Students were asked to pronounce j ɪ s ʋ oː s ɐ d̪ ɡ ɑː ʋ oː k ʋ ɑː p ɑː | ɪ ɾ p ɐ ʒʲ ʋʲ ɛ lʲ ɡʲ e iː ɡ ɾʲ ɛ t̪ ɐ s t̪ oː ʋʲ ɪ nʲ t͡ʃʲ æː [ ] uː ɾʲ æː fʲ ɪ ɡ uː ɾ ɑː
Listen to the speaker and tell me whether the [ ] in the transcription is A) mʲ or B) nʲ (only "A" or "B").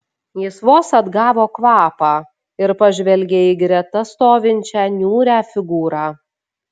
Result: B